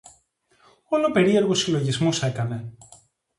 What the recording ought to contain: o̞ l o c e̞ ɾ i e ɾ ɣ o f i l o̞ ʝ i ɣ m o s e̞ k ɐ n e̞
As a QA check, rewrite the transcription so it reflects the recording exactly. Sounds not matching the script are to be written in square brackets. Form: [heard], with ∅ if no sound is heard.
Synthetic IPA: o̞ l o [p] e̞ ɾ i e ɾ ɣ o [s] i l o̞ ʝ i [z] m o s e̞ k ɐ n e̞